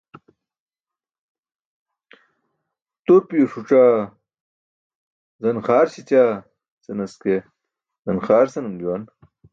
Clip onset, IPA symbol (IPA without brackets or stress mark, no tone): t̪